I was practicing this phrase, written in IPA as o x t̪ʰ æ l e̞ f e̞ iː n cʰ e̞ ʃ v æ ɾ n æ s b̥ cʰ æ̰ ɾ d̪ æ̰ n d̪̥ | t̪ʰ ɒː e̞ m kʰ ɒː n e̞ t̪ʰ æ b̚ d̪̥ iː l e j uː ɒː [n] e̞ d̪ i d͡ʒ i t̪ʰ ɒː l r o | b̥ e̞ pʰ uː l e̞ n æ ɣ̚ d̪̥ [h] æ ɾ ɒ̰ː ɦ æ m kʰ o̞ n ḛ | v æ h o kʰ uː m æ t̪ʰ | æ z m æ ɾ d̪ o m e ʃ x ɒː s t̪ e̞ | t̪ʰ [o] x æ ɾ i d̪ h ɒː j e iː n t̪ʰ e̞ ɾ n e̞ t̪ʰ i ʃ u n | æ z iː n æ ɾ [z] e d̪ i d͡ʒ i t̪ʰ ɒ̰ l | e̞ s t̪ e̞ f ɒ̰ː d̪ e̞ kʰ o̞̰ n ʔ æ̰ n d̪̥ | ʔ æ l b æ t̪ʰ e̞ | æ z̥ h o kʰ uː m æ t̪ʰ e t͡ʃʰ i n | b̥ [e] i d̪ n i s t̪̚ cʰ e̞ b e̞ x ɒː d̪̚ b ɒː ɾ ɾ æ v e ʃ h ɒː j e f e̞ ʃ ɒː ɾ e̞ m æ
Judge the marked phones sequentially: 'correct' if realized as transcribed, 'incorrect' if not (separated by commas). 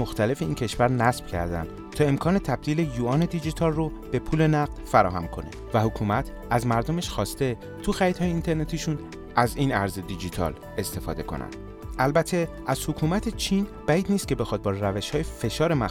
correct, incorrect, incorrect, correct, incorrect